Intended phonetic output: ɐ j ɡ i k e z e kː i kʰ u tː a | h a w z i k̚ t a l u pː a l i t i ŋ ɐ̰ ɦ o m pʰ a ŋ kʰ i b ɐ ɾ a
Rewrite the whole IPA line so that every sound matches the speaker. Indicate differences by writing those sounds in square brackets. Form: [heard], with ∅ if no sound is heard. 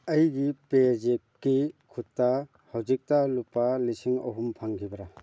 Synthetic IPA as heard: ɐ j ɡ i [p] e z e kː i kʰ u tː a | h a w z i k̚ t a l u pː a l i [s] i ŋ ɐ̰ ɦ [u] m pʰ a ŋ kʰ i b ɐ ɾ a